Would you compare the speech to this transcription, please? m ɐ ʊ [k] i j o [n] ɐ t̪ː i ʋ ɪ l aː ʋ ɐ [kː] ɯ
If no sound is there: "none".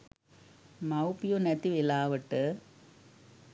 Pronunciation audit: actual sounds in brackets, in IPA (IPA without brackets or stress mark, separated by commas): p, n, ʈː